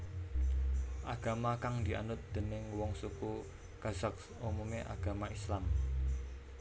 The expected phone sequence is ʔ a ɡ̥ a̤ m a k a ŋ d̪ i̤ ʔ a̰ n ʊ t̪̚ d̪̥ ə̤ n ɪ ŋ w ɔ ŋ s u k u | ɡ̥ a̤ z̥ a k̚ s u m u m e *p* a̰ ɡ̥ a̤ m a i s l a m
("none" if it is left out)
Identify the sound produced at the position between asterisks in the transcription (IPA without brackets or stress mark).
ʔ